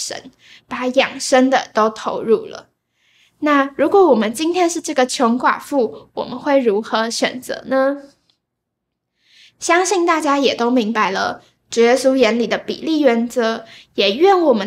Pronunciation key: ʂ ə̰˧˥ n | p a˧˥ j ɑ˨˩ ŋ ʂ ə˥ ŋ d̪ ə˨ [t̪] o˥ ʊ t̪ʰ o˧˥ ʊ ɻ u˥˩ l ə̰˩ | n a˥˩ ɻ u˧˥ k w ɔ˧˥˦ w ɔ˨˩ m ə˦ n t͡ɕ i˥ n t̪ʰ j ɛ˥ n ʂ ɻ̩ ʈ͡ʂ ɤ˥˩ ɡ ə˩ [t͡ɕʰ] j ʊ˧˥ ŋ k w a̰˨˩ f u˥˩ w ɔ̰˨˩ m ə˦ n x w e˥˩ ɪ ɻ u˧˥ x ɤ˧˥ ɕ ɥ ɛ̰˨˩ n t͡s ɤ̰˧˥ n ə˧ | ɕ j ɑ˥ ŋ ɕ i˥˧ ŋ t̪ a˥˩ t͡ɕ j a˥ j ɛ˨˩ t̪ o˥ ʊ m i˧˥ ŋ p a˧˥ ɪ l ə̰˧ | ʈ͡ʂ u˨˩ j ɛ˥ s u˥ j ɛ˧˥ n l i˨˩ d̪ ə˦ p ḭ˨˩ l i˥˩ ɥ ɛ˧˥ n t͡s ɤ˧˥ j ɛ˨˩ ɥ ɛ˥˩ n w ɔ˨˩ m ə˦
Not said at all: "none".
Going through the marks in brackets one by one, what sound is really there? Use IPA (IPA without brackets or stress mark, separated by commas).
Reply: t̪, t͡ɕʰ